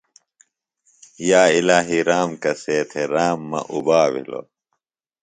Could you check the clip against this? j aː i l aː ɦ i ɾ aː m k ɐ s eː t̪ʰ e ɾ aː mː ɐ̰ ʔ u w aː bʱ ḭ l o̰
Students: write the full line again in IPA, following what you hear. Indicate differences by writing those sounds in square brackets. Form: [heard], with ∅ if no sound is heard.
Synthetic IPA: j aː i l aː ɦ i ɾ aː m k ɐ s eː t̪ʰ e ɾ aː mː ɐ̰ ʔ u [b] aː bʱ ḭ l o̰